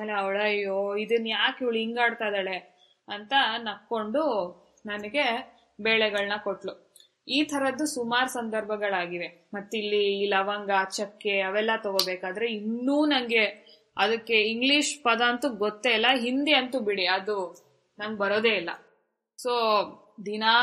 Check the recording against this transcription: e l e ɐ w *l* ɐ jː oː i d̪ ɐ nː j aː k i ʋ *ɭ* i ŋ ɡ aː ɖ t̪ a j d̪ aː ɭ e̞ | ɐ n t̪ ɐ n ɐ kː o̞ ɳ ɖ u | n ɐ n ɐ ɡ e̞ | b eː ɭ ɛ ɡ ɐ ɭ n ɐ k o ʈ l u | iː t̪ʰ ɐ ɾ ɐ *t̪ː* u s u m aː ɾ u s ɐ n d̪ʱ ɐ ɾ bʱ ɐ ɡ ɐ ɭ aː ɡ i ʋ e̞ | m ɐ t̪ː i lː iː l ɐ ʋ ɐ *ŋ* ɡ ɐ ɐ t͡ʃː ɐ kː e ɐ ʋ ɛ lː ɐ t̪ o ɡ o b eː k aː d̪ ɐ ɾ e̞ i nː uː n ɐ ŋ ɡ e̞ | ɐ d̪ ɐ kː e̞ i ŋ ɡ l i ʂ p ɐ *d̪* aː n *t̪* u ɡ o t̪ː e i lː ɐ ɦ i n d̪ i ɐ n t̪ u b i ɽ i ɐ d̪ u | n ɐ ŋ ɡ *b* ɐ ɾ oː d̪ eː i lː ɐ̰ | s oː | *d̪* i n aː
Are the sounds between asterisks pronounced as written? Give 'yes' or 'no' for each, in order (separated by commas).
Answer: no, yes, no, yes, yes, yes, yes, yes